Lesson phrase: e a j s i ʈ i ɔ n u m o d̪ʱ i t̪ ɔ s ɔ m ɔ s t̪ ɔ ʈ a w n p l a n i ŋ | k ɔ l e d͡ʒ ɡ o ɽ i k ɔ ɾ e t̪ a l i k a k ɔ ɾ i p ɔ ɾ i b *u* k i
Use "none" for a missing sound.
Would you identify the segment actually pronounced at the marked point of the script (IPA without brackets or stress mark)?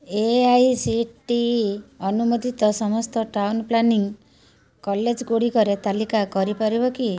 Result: ɔ